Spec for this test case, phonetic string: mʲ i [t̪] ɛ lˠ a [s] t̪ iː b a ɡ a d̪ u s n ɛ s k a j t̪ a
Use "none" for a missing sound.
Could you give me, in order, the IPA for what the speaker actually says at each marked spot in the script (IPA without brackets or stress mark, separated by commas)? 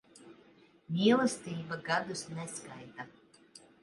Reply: none, s